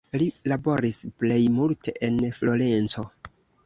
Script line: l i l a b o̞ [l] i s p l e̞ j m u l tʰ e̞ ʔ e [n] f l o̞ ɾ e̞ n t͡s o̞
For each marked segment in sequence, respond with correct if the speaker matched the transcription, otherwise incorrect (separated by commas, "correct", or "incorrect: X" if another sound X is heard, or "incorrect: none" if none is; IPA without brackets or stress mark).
incorrect: ɾ, correct